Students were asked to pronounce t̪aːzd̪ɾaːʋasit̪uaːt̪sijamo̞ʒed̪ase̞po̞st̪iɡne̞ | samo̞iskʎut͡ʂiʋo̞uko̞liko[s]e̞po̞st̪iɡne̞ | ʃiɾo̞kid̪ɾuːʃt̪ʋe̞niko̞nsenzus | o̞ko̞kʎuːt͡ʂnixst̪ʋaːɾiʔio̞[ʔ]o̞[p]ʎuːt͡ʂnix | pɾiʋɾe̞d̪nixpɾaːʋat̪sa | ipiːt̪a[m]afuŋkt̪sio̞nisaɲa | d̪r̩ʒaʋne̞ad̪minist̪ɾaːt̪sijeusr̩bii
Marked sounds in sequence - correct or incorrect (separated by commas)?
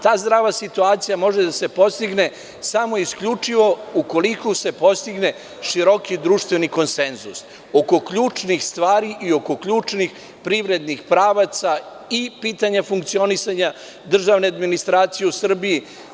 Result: correct, incorrect, incorrect, incorrect